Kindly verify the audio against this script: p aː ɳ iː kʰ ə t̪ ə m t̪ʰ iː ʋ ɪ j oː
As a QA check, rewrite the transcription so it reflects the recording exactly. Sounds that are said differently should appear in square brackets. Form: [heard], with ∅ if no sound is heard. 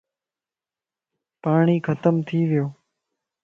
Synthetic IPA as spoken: p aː ɳ iː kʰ ə t̪ ə m t̪ʰ iː ʋ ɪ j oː